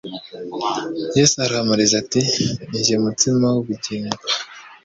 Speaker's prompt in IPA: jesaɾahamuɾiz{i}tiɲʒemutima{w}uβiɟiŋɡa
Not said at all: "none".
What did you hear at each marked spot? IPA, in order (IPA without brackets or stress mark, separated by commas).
a, w